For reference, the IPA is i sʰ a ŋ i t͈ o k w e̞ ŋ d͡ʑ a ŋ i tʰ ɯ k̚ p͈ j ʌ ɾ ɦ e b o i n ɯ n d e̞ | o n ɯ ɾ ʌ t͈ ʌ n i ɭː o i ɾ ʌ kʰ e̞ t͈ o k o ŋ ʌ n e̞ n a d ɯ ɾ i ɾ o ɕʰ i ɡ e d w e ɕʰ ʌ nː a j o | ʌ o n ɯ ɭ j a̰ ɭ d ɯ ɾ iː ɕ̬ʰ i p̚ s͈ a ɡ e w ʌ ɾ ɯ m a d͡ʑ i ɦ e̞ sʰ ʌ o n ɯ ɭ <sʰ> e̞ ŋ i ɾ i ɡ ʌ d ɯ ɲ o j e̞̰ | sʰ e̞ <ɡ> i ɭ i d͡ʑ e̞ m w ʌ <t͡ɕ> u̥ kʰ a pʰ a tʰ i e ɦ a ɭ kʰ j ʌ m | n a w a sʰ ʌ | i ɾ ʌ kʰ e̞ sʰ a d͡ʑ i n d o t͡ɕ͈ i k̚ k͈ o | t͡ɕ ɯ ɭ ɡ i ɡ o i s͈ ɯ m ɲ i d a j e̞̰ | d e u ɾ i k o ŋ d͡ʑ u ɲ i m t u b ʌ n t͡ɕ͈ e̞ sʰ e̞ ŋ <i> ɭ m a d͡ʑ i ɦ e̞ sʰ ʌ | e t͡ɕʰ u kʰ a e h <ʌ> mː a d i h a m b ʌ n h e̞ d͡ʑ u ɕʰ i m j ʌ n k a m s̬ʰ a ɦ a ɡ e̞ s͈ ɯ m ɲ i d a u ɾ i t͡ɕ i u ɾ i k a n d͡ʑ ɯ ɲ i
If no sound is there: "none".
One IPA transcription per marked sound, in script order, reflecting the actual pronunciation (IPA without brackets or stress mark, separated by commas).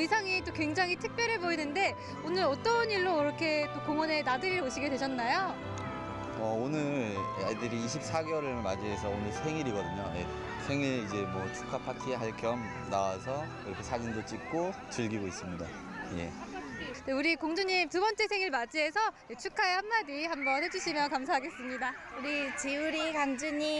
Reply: sʰ, ŋ, t͡ɕʰ, i, a